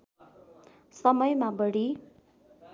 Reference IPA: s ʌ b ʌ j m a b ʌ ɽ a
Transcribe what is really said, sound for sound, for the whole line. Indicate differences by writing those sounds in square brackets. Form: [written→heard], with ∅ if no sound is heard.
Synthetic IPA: s ʌ [b→m] ʌ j m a b ʌ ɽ [a→i]